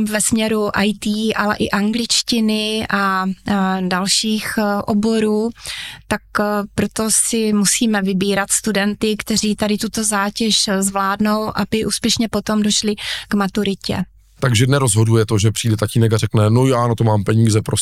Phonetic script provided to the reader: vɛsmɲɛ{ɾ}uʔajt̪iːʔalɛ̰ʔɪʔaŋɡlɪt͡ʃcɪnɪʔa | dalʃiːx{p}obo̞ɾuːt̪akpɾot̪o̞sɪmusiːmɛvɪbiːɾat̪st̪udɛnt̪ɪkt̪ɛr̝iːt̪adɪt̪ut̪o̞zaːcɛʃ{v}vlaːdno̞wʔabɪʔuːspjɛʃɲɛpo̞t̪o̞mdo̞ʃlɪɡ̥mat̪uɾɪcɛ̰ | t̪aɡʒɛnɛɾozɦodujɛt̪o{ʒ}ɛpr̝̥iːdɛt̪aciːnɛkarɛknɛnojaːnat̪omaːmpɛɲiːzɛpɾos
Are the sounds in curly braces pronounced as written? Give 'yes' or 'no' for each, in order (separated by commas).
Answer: yes, no, no, yes